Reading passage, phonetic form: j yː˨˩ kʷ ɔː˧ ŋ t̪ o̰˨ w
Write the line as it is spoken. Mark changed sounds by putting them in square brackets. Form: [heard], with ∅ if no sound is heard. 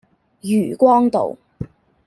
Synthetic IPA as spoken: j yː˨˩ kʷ [ɔː˥] ŋ t̪ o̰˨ w